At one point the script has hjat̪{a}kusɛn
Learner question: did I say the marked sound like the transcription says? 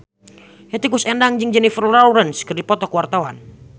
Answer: no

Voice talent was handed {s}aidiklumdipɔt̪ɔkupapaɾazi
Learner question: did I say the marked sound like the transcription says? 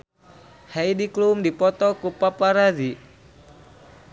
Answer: no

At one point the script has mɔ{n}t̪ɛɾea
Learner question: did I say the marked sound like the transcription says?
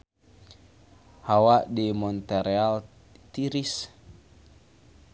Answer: yes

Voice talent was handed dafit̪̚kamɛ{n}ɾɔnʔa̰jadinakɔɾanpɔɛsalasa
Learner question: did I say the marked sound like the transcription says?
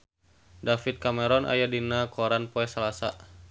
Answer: no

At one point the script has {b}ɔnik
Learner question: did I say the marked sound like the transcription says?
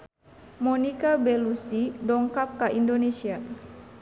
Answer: no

